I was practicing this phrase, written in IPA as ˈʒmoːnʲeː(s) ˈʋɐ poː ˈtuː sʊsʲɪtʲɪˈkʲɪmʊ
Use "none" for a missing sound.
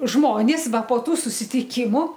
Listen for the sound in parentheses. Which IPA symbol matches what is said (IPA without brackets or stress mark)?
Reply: s